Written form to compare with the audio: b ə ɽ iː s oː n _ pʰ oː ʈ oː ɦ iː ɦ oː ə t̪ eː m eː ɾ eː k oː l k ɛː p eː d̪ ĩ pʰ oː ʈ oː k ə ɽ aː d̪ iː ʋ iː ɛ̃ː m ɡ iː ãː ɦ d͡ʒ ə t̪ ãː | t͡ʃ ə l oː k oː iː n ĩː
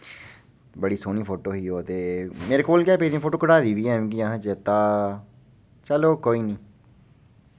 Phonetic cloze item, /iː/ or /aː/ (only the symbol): iː